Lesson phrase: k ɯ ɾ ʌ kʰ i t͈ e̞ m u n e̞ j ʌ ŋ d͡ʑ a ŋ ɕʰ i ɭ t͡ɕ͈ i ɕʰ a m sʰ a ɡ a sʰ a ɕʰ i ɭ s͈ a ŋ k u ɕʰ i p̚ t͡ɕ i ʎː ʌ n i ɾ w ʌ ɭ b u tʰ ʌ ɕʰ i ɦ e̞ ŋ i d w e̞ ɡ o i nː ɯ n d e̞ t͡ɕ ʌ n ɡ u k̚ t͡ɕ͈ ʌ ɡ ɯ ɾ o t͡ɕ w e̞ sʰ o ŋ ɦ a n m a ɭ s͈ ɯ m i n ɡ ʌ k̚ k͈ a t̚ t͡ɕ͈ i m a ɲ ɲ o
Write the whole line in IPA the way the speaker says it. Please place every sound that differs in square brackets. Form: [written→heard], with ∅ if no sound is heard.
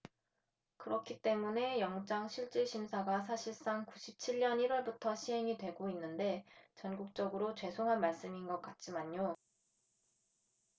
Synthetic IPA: k ɯ ɾ ʌ kʰ i t͈ e̞ m u n e̞ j ʌ ŋ d͡ʑ a ŋ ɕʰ i ɭ t͡ɕ͈ i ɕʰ [a→i] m sʰ a ɡ a sʰ a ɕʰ i ɭ s͈ a ŋ k u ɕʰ i p̚ [t͡ɕ→t͡ɕʰ] i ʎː ʌ n i ɾ w ʌ ɭ b u tʰ ʌ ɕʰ i ɦ e̞ ŋ i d w e̞ ɡ o i nː ɯ n d e̞ t͡ɕ ʌ n ɡ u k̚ t͡ɕ͈ ʌ ɡ ɯ ɾ o t͡ɕ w e̞ sʰ o ŋ ɦ a n m a ɭ s͈ ɯ m i n ɡ ʌ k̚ k͈ a t̚ t͡ɕ͈ i m a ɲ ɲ o

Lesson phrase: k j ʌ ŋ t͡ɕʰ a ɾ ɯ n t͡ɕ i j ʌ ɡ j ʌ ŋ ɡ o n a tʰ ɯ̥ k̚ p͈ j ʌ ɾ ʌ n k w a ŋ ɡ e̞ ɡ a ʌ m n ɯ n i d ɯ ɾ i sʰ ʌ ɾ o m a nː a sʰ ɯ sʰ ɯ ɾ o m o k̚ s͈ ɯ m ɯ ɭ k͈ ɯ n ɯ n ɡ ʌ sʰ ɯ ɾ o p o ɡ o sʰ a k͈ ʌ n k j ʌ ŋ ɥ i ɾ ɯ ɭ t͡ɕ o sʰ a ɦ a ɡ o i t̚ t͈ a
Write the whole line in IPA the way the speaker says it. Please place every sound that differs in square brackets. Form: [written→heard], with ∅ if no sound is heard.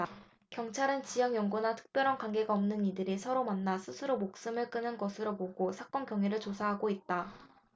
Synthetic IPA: k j ʌ ŋ t͡ɕʰ a ɾ ɯ n t͡ɕ i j ʌ [ɡ→ŋ] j ʌ ŋ ɡ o n a tʰ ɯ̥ k̚ p͈ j ʌ ɾ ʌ n k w a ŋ ɡ e̞ ɡ a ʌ m n ɯ n i d ɯ ɾ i sʰ ʌ ɾ o m a nː a sʰ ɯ sʰ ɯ ɾ o m o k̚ s͈ ɯ m ɯ ɭ k͈ ɯ n ɯ n ɡ ʌ sʰ ɯ ɾ o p o ɡ o sʰ a k͈ ʌ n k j ʌ ŋ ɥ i ɾ ɯ ɭ t͡ɕ o sʰ a ɦ a ɡ o i t̚ t͈ a

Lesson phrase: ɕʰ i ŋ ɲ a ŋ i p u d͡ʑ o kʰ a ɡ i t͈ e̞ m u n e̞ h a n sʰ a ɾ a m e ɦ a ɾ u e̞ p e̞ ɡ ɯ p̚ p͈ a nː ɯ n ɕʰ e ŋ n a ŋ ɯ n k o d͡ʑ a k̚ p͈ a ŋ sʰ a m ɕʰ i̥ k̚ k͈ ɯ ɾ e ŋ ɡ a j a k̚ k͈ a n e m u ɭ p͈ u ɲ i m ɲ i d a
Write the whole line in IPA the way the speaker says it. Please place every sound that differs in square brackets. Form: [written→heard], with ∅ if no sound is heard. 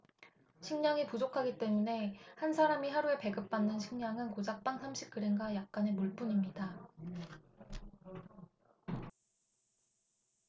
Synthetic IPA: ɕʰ i ŋ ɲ a ŋ i p u d͡ʑ o kʰ a ɡ i t͈ e̞ m u n e̞ h a n sʰ a ɾ a m [e→i] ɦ a ɾ u e̞ p e̞ ɡ ɯ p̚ p͈ a nː ɯ n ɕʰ [e→i] ŋ [n→ɲ] a ŋ ɯ n k o d͡ʑ a k̚ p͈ a ŋ sʰ a m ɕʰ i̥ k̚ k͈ ɯ ɾ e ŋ ɡ a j a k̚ k͈ a n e m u ɭ p͈ u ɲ i m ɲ i d a

